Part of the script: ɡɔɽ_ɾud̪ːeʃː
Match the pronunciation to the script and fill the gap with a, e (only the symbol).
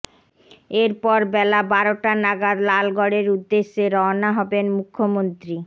e